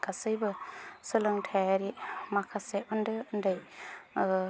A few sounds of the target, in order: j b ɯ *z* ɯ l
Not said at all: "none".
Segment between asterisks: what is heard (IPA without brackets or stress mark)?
s